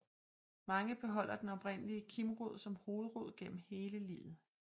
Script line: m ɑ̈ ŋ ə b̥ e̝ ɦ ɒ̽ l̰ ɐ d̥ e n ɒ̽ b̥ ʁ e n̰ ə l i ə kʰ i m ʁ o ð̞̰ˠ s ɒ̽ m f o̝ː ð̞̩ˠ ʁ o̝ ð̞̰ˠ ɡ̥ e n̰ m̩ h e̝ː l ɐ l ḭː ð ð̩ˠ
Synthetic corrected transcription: m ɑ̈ ŋ ə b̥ e̝ ɦ ɒ̽ l̰ ɐ d̥ e n ɒ̽ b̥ ʁ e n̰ ə l i ə kʰ i m ʁ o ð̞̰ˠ s ɒ̽ m h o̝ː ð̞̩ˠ ʁ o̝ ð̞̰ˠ ɡ̥ e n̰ m̩ h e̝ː l ə l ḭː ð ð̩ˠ